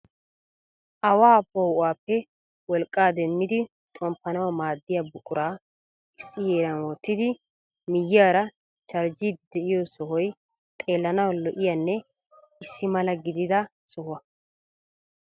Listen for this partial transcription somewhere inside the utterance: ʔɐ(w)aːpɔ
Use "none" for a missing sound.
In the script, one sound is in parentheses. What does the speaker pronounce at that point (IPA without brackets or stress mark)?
w